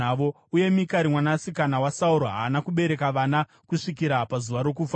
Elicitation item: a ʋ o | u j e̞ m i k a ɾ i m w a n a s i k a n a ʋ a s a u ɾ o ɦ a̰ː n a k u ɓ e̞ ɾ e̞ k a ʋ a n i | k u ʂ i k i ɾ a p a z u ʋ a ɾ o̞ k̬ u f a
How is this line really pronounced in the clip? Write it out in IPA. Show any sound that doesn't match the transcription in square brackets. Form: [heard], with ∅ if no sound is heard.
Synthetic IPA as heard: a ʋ o | u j e̞ m i k a ɾ i m w a n a s i k a n a [w] a s a u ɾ o ɦ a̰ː n a k u ɓ e̞ ɾ e̞ k a ʋ a n [a] | k u ʂ i k i ɾ a p a z u ʋ a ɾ o̞ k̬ u f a